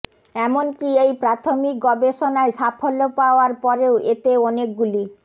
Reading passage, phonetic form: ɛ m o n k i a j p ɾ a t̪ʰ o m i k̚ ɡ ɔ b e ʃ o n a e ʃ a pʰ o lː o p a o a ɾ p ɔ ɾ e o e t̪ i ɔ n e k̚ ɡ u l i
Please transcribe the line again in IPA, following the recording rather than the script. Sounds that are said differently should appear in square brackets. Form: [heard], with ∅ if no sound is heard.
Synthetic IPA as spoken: ɛ m o n k i [e] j p ɾ a t̪ʰ o m i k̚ ɡ ɔ b e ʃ o n a e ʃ a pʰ o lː o p a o a ɾ p ɔ ɾ e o e t̪ [e] ɔ n e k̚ ɡ u l i